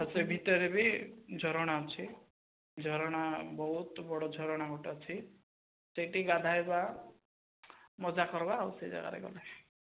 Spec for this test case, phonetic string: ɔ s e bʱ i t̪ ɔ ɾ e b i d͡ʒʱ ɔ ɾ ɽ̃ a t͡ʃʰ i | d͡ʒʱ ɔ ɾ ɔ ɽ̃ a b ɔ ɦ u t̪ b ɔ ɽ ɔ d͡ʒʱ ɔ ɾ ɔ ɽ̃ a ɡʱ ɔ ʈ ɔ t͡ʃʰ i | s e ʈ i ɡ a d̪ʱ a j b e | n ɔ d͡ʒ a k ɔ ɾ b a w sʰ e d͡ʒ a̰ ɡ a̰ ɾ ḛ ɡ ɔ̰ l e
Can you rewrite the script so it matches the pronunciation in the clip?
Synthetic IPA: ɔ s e bʱ i t̪ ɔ ɾ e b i d͡ʒʱ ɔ ɾ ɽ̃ a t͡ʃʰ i | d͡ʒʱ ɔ ɾ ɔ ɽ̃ a b ɔ ɦ u t̪ b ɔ ɽ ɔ d͡ʒʱ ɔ ɾ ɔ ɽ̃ a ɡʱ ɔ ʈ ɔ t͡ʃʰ i | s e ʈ i ɡ a d̪ʱ a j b a | m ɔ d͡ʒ a k ɔ ɾ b a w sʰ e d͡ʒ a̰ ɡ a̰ ɾ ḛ ɡ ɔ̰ l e

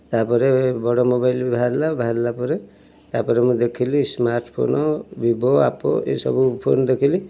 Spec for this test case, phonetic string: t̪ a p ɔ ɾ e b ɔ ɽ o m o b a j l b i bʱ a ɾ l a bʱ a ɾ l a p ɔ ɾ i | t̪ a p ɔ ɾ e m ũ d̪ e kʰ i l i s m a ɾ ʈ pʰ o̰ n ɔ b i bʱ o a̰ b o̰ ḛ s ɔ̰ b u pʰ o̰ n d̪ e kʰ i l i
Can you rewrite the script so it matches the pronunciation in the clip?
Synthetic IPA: t̪ a p ɔ ɾ e b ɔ ɽ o m o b a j l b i bʱ a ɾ l a bʱ a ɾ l a p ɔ ɾ e | t̪ a p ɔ ɾ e m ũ d̪ e kʰ i l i s m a ɾ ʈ pʰ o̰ n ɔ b i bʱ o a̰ p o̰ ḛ s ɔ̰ b u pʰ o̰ n d̪ e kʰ i l i

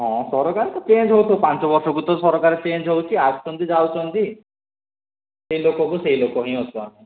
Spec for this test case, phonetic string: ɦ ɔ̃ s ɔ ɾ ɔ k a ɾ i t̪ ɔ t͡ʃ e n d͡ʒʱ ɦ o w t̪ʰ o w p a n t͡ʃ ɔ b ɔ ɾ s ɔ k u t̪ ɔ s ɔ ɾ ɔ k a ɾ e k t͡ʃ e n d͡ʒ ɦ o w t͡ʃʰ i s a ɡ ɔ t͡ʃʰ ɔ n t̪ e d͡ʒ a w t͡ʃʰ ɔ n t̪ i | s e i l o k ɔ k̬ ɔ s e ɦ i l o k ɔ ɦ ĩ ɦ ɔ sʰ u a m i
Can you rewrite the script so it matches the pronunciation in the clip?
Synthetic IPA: ɦ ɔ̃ s ɔ ɾ ɔ k a ɾ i t̪ ɔ t͡ʃ e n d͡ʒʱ ɦ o w t̪ʰ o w p a n t͡ʃ ɔ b ɔ ɾ s ɔ k u t̪ ɔ s ɔ ɾ ɔ k a ɾ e t͡ʃ e n d͡ʒ ɦ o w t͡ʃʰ i a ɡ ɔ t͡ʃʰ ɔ n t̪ i d͡ʒ a w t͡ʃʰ ɔ n t̪ i | s e i l o k ɔ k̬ u s e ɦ i l o k ɔ ɦ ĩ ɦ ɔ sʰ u a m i

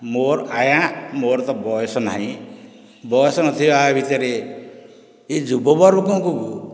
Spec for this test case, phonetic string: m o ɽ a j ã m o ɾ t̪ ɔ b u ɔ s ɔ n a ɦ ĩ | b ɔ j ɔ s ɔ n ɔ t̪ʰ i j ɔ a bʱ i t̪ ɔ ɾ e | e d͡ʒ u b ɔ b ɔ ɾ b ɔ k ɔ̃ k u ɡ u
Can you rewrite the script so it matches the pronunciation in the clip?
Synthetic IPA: m o ɾ a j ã m o ɾ t̪ ɔ b ɔ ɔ s ɔ n a ɦ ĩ | b ɔ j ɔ s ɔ n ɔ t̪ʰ i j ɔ a bʱ i t̪ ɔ ɾ e | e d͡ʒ u b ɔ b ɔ ɾ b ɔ k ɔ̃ k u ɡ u

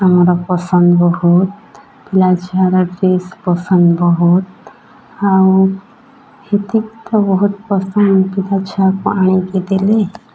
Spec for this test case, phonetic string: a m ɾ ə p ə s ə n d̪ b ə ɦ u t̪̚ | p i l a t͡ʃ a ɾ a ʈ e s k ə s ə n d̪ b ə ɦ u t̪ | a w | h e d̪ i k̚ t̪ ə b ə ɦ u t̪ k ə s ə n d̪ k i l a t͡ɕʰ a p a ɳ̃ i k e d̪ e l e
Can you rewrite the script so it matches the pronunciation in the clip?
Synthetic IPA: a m ɾ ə p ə s ə n d̪ b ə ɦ u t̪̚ | p i l a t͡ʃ a ɾ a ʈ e s p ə s ə n d̪ b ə ɦ u t̪ | a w | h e t̪ i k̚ t̪ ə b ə ɦ u t̪ p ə s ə n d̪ p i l a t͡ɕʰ a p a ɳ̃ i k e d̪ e l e

